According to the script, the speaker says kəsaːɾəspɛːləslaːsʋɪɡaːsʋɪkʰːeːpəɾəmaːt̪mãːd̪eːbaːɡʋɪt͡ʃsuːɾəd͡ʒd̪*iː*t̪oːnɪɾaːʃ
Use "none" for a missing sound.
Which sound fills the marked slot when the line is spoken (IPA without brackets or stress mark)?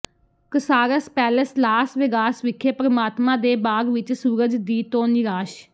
iː